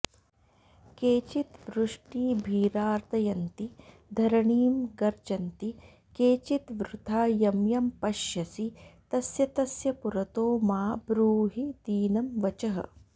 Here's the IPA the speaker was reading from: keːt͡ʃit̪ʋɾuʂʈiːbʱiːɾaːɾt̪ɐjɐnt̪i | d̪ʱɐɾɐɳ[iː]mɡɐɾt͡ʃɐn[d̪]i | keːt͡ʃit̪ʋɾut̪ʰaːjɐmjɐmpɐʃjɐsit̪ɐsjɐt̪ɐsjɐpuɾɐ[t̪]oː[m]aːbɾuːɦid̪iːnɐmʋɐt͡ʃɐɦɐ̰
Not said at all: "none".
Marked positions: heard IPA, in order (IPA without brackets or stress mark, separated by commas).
iː, t̪, t̪, m